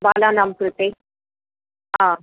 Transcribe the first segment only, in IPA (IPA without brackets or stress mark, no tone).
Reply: b